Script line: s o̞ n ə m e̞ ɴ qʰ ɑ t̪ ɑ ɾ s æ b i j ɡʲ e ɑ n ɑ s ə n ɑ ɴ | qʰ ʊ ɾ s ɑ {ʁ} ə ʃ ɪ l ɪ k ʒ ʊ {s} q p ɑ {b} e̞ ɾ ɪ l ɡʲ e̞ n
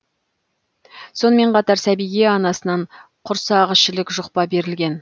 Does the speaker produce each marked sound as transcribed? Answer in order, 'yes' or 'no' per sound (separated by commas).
yes, no, yes